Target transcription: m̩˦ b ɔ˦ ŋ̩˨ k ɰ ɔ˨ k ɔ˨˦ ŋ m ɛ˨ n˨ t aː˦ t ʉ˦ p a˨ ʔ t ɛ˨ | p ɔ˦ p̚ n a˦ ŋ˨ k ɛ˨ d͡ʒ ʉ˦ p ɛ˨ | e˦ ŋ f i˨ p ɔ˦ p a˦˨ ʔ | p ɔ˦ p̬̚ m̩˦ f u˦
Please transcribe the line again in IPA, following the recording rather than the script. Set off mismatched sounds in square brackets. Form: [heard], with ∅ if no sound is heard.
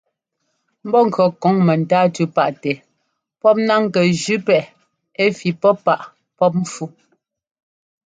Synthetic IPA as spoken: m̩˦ b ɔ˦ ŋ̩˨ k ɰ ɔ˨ k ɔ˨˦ ŋ m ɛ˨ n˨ t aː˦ t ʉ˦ p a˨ ʔ t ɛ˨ | p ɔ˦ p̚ n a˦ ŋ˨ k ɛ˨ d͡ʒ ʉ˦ p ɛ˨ | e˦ [∅] f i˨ p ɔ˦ p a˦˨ ʔ | p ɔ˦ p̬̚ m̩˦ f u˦